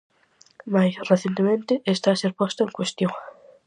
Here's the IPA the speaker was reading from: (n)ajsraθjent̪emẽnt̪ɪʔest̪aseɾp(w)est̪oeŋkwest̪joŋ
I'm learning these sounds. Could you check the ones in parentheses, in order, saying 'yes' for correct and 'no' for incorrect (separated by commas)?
no, yes